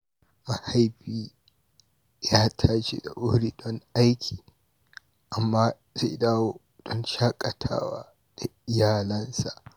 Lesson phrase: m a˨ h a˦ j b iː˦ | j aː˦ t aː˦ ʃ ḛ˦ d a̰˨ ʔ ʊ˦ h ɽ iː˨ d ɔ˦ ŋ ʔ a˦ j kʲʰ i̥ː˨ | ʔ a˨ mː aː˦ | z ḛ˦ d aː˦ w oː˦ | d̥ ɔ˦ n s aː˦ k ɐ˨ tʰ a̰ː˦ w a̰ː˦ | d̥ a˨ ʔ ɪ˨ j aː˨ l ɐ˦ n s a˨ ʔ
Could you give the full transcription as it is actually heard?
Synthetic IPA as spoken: m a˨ h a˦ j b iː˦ | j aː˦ tʰ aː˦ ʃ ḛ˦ d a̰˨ ʔ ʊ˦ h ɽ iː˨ d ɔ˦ ŋ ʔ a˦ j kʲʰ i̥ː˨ | ʔ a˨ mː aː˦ | z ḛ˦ d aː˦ w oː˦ | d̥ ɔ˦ n ʃ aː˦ kʼ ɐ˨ tʰ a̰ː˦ w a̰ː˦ | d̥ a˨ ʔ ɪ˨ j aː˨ l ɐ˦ n s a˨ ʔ